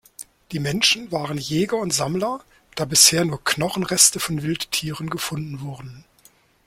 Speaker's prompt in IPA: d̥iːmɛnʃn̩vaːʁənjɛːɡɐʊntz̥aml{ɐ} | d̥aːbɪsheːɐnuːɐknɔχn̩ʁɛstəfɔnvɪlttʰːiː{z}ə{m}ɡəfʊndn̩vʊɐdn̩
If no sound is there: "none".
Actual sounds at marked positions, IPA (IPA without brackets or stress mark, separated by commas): ɐ, ʁ, n